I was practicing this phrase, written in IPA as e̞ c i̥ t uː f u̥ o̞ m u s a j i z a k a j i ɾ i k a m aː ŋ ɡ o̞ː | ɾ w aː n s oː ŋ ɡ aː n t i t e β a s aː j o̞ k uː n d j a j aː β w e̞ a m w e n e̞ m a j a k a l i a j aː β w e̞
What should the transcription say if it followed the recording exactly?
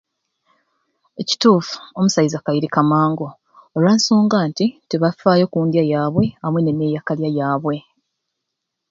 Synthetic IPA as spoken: e̞ c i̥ t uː f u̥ o̞ m u s a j i z a k a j i ɾ i k a m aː ŋ ɡ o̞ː | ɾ w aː n s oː ŋ ɡ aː n t i t e β a f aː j o̞ k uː n d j a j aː β w e̞ a m w e n e̞ m e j a k a l j a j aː β w e̞